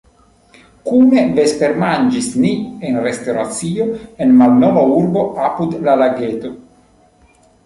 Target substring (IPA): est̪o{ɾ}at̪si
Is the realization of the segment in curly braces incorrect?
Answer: no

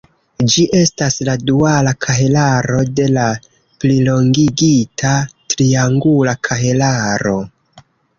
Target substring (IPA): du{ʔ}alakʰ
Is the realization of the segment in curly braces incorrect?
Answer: yes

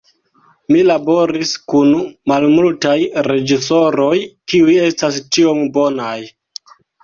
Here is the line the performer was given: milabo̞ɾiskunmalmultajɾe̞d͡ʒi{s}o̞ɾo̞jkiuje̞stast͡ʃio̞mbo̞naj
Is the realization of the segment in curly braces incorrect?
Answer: no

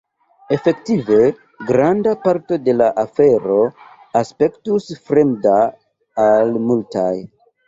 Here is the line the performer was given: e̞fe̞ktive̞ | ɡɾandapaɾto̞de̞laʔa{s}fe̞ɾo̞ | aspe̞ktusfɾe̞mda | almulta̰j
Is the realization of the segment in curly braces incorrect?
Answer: yes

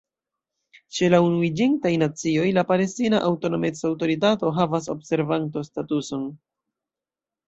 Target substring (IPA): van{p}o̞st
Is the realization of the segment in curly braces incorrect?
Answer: yes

